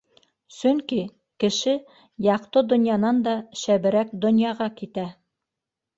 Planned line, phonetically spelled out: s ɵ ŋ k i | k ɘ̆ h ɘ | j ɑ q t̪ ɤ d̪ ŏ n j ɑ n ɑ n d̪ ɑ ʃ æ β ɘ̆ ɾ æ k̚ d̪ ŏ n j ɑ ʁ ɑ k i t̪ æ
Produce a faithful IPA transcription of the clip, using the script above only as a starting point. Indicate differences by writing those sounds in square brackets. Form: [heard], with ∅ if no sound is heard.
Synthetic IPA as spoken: s ɵ ŋ k i | k ɘ̆ [ʃ] ɘ | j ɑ q t̪ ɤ d̪ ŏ n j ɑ n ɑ n d̪ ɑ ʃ æ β ɘ̆ ɾ æ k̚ d̪ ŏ n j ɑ ʁ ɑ k i t̪ æ